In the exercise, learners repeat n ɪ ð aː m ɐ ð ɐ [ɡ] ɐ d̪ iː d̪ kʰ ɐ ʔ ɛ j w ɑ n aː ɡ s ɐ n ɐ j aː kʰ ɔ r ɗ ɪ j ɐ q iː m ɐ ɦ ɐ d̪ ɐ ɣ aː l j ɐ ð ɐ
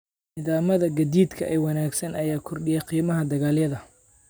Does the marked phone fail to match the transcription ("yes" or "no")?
no